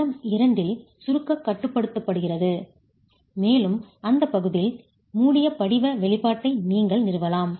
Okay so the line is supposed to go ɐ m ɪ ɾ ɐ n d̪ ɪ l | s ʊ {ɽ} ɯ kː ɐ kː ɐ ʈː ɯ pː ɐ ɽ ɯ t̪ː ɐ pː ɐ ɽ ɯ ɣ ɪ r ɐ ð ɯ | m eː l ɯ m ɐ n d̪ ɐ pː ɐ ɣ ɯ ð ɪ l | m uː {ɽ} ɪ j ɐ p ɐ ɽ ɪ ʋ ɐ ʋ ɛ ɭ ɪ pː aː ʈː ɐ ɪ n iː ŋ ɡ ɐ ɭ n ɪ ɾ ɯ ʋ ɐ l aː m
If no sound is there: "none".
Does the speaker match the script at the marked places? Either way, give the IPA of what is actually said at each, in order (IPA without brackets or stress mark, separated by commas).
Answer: ɾ, ɽ